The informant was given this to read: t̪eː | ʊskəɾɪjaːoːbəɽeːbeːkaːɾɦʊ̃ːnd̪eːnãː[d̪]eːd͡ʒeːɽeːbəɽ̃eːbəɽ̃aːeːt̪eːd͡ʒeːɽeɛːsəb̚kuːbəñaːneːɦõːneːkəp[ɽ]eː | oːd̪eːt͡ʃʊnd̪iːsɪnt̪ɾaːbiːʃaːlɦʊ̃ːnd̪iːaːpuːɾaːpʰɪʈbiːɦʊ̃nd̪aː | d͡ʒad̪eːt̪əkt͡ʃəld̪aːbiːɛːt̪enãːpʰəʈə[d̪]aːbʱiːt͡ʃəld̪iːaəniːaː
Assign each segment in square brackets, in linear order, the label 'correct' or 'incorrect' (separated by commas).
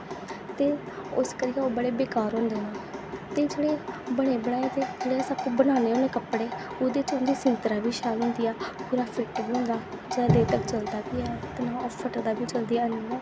incorrect, correct, correct